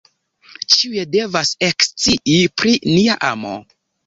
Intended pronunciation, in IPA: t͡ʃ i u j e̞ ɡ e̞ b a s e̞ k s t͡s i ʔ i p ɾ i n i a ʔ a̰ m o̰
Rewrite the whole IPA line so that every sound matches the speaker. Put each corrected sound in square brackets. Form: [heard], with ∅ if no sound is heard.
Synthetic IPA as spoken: t͡ʃ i u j e̞ [d] e̞ [v] a s e̞ k s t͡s i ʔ i p ɾ i n i a ʔ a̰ m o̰